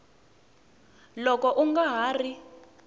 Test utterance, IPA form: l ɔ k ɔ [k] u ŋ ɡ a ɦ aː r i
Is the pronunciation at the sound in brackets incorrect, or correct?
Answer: incorrect